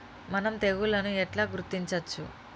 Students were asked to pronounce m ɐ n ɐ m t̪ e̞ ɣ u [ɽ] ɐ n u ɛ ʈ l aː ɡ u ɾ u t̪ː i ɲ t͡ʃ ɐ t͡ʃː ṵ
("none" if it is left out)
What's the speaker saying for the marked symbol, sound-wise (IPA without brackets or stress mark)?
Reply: l